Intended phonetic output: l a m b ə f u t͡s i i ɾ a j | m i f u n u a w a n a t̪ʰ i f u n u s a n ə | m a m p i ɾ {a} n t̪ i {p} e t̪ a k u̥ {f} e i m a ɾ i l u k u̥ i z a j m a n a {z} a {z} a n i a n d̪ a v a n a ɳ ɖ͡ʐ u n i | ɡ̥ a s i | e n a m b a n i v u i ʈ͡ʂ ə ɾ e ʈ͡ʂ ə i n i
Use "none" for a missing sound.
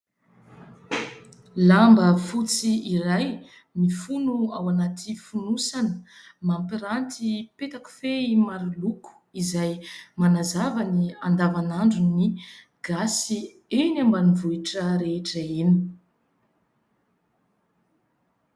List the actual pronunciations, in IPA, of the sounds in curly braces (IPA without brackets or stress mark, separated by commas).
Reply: a, p, f, z, v